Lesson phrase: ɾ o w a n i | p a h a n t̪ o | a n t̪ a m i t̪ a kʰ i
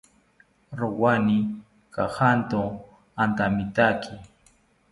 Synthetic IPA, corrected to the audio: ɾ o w a n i | k a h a n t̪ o | a n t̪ a m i t̪ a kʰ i